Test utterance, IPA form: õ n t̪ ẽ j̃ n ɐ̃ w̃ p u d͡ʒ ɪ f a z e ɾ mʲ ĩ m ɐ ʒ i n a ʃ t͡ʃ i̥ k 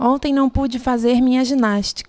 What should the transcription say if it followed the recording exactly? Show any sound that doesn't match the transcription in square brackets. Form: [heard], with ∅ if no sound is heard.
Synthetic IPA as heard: õ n t̪ ẽ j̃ n ɐ̃ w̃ p u d͡ʒ ɪ f a z e ɾ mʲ ĩ [ɲ] ɐ ʒ i n a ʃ t͡ʃ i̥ k